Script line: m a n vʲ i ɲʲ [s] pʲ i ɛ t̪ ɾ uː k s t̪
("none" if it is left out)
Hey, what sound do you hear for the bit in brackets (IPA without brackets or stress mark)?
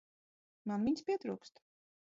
s